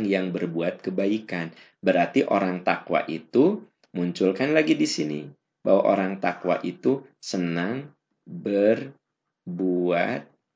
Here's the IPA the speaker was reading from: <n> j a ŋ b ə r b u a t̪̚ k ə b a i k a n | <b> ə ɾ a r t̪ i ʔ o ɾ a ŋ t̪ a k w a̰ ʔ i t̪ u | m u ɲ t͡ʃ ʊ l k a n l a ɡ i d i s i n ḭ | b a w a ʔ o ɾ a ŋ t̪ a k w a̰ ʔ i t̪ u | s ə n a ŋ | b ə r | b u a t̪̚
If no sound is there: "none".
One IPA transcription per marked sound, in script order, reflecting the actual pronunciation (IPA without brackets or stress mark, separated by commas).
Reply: ŋ, b